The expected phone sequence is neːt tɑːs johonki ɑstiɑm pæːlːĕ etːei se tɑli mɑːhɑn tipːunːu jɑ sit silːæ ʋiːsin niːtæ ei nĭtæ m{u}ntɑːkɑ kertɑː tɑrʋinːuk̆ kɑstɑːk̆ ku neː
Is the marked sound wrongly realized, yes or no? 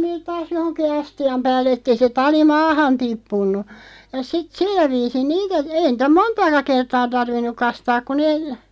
yes